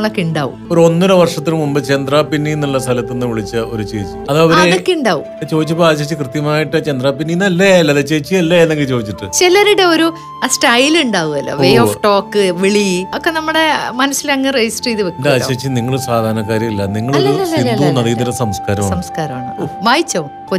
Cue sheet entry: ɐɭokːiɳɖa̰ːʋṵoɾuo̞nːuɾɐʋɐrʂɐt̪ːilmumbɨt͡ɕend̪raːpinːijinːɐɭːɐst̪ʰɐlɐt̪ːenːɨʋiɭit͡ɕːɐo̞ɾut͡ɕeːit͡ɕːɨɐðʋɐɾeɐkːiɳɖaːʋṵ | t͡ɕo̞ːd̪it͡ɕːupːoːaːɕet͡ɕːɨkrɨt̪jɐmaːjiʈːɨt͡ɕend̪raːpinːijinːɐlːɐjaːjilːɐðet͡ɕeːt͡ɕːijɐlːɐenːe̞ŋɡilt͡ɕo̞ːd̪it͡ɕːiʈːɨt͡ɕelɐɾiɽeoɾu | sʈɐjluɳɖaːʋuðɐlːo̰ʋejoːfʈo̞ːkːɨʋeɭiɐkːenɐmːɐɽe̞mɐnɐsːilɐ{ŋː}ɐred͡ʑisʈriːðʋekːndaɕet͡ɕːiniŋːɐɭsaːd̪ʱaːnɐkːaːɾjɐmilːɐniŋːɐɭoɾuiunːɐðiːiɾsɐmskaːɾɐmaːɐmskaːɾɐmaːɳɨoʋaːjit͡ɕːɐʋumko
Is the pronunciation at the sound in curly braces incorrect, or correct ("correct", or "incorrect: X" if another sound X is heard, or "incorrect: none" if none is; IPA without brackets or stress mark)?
correct